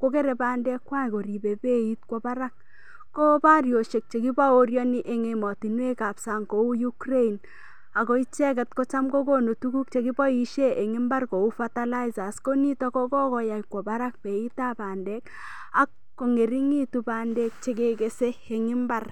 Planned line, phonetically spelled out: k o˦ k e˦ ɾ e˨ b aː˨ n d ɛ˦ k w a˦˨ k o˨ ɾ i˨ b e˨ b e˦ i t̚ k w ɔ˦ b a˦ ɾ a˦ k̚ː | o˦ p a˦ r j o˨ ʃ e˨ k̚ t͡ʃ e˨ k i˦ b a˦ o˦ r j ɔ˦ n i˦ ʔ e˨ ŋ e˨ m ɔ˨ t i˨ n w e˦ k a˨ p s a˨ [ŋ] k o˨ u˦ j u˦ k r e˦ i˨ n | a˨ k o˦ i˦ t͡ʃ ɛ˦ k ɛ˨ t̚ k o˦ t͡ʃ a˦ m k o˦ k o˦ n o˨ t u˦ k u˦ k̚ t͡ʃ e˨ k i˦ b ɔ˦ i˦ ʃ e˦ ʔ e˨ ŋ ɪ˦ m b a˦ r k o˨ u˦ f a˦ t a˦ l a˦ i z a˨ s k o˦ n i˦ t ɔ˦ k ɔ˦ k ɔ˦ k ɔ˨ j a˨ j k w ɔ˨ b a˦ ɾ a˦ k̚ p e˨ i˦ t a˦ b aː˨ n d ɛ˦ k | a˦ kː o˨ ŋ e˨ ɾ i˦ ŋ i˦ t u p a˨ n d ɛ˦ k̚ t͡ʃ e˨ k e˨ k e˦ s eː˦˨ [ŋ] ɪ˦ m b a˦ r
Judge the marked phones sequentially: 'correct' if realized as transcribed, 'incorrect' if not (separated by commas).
correct, correct